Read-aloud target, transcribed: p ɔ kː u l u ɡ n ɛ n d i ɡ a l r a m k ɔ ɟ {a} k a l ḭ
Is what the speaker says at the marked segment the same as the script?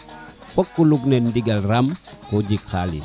no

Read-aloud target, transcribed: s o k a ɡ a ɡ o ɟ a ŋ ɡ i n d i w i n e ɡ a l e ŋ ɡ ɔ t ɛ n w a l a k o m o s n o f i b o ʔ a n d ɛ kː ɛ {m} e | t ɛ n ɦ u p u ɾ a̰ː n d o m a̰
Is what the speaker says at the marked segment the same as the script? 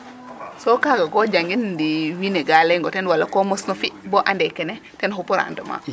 no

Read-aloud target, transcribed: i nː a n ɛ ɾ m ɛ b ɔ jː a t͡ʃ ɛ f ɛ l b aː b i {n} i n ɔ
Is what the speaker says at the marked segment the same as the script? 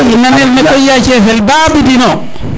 no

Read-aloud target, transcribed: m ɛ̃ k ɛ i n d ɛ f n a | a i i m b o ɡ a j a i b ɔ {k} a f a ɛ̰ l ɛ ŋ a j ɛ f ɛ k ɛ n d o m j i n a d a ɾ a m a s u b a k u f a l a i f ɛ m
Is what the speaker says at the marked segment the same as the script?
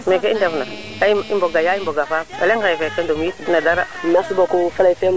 no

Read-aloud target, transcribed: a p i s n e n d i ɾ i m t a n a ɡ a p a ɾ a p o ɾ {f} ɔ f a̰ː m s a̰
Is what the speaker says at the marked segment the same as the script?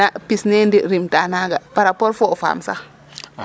yes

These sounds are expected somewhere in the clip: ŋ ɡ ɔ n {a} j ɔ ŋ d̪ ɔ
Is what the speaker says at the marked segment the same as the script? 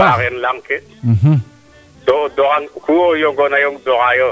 yes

